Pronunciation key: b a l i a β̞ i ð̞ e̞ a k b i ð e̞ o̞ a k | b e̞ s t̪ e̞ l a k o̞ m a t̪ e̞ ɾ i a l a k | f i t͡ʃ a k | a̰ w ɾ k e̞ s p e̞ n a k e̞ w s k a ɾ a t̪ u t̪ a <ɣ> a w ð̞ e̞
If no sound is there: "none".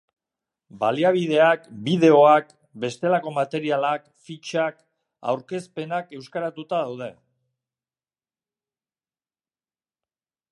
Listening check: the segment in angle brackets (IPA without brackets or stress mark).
ð